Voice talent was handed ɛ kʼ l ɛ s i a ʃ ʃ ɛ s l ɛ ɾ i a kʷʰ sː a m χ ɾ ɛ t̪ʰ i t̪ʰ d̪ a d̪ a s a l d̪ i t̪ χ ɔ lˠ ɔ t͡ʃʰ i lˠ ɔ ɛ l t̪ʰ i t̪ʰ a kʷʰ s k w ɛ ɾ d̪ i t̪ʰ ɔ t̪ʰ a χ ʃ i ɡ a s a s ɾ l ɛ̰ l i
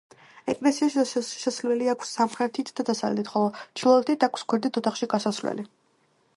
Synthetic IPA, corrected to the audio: ɛ kʼ l ɛ s i a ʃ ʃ ɛ s l ɛ l i a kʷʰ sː a m χ ɾ ɛ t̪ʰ i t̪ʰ d̪ a d̪ a s a l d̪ i t̪ χ ɔ lˠ ɔ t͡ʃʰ i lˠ ɔ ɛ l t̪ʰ i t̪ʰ a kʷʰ s k w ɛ ɾ d̪ i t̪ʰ ɔ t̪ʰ a χ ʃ i ɡ a s a s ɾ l ɛ̰ l i